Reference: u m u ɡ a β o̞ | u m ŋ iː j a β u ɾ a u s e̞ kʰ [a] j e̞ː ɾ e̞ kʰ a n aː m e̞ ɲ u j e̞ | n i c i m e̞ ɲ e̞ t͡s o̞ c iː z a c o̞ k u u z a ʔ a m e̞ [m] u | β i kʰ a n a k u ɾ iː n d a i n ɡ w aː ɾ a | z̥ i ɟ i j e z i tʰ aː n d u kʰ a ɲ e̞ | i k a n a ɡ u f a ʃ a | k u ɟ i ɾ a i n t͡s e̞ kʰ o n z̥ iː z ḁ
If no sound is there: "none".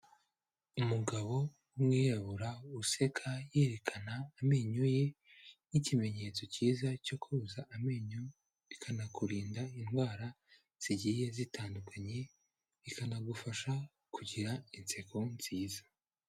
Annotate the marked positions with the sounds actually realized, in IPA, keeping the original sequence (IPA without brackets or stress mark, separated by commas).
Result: a, ɲ